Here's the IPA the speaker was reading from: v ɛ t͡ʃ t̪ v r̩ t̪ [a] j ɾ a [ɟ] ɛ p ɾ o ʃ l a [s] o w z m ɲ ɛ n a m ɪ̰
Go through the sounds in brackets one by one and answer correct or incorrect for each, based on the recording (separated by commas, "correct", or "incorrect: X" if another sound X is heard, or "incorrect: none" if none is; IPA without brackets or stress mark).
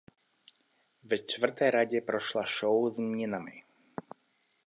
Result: incorrect: ɛ, correct, incorrect: ʃ